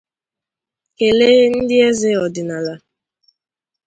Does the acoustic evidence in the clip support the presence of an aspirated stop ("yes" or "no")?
no